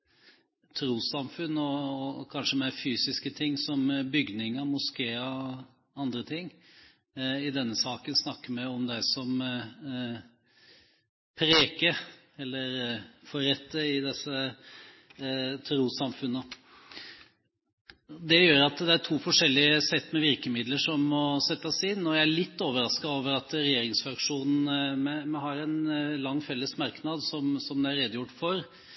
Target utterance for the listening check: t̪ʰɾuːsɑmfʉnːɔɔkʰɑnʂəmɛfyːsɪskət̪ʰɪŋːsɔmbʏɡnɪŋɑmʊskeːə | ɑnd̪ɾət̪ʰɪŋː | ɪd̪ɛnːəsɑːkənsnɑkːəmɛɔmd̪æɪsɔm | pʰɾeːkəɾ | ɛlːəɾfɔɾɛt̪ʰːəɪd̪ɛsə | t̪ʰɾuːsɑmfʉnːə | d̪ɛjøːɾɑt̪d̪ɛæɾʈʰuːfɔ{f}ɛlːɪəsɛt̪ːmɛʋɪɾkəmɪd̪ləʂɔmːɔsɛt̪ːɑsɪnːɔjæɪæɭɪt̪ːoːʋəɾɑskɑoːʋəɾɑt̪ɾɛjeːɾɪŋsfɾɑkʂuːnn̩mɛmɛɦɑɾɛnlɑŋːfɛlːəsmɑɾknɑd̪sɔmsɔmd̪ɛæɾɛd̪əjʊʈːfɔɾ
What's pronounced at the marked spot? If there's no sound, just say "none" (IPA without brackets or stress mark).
ʂ